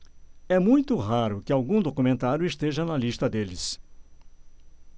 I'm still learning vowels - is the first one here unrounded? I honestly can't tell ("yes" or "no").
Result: yes